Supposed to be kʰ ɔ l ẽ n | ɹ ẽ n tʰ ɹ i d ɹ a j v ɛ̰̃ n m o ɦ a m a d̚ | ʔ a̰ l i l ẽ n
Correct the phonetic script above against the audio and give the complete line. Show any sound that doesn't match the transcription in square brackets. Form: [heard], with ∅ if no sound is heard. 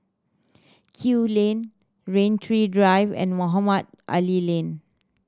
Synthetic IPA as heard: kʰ [u] l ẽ n | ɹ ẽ n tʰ ɹ i d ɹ a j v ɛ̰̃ n m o ɦ a m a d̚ | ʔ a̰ l i l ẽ n